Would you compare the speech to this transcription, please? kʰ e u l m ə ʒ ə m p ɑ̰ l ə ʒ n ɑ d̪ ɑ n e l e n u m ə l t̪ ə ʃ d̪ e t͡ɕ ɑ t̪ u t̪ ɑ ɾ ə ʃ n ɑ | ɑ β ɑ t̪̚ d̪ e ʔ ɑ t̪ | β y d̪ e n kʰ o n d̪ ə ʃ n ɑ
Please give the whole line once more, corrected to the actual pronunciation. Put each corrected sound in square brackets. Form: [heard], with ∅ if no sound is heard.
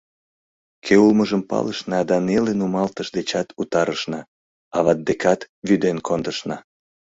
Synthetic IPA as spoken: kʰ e u l m ə ʒ ə m p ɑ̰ l ə [ʃ] n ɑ d̪ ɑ n e l e n u m [ɑ] l t̪ ə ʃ d̪ e t͡ɕ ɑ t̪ u t̪ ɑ ɾ ə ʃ n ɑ | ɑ β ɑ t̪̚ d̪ e [k] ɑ t̪ | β y d̪ e n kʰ o n d̪ ə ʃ n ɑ